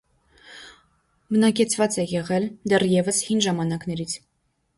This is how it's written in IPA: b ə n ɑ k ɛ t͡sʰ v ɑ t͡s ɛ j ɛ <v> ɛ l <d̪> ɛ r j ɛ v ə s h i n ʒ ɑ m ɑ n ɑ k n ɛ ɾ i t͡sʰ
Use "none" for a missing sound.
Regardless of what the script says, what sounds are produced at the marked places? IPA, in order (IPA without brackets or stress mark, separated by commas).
ʁ, d̪